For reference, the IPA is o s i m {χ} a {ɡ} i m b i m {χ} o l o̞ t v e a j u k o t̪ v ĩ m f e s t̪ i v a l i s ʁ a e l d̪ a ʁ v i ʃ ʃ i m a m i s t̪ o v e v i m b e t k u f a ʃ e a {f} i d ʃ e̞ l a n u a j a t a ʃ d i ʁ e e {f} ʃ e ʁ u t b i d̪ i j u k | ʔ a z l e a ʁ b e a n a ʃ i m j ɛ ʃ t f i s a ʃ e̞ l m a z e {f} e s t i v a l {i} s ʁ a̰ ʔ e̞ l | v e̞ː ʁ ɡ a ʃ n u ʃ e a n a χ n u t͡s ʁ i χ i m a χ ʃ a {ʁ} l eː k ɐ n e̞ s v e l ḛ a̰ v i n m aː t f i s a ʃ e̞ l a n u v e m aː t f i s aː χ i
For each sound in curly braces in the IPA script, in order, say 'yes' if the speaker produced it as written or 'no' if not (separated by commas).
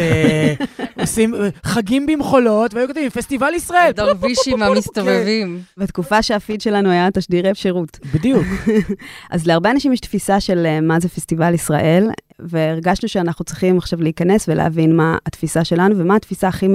yes, yes, yes, yes, yes, yes, yes, no